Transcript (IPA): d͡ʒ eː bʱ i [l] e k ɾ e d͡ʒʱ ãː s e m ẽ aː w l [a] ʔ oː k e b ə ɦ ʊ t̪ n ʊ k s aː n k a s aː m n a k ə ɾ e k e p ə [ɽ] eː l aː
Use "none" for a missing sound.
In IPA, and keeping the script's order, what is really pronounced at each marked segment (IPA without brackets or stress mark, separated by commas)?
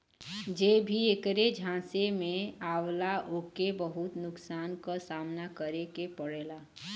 none, a, ɽ